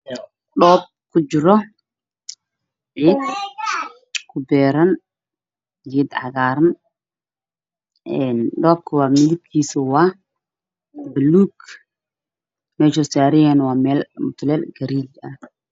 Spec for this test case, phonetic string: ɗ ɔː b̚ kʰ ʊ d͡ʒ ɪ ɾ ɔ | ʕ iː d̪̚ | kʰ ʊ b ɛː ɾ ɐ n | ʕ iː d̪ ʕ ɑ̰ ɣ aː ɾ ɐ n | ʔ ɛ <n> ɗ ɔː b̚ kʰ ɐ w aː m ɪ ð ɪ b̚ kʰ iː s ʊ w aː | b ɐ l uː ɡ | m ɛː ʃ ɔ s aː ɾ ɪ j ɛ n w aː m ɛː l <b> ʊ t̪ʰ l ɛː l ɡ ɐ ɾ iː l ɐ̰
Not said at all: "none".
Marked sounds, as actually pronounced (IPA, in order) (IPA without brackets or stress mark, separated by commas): n, m